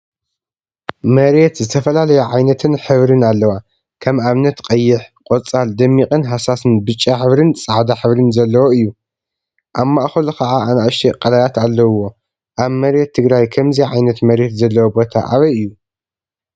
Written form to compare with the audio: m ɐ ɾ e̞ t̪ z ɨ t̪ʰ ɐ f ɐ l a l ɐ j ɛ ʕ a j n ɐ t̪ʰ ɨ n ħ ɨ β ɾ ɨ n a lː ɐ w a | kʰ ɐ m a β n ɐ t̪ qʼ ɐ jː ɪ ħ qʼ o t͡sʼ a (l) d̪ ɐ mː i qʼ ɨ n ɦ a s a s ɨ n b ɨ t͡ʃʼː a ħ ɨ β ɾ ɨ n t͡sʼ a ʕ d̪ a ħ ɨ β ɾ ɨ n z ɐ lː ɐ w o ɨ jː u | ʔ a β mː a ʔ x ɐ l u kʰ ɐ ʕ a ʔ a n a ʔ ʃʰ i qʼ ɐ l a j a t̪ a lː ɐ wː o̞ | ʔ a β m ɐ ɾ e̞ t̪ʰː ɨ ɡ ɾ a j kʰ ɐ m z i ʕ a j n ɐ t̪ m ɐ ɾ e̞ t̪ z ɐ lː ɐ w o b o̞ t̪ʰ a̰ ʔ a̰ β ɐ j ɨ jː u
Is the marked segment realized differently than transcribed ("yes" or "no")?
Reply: no